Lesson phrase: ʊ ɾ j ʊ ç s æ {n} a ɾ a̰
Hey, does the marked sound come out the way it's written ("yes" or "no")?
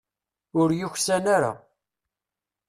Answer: yes